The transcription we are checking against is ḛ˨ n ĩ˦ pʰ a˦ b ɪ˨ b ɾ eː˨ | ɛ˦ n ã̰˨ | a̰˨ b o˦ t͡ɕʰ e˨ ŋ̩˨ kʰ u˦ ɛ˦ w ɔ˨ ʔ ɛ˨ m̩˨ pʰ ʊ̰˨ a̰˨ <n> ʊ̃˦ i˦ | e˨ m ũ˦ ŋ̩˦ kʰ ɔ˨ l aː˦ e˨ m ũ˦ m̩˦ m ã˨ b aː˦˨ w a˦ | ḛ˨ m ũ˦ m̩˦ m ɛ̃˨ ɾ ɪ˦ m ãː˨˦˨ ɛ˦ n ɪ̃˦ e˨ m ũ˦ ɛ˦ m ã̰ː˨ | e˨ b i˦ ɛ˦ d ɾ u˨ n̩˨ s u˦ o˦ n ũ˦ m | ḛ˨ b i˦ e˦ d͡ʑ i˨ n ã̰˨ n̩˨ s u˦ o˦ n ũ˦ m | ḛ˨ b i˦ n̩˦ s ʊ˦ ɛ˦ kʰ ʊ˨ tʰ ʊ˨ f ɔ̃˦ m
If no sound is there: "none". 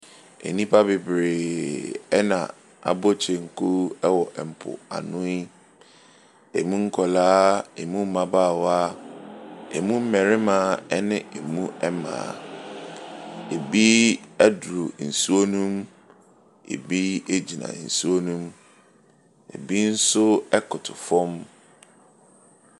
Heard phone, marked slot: n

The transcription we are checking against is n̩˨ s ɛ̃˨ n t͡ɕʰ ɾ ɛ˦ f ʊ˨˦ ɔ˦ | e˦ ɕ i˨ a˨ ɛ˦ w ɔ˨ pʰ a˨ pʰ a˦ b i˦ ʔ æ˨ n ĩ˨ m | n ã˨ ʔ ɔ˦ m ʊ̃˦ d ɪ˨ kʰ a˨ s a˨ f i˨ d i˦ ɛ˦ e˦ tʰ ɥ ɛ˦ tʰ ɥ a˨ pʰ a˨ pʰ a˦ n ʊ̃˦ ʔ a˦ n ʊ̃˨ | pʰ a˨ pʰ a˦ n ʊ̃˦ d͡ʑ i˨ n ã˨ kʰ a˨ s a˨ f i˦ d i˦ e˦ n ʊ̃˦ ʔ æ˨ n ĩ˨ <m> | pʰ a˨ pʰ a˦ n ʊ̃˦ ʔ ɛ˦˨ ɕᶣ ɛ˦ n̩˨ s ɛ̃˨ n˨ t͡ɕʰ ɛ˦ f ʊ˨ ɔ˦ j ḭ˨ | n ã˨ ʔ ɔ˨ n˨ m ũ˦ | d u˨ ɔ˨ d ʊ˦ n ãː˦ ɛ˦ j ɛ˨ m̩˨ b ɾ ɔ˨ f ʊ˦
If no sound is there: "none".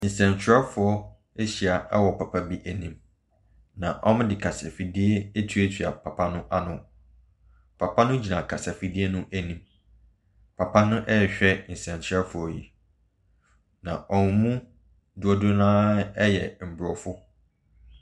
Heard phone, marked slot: m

